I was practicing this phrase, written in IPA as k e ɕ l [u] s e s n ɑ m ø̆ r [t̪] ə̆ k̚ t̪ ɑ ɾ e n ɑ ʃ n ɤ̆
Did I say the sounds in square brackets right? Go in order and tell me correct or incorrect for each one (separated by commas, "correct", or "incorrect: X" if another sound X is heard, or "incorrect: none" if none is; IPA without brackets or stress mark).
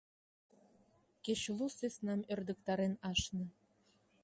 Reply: correct, incorrect: d̪